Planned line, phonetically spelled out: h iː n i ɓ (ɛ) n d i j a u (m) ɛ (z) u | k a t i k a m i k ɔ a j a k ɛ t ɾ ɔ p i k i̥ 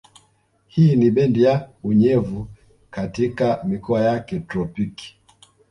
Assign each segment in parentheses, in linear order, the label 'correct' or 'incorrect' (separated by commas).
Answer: correct, incorrect, incorrect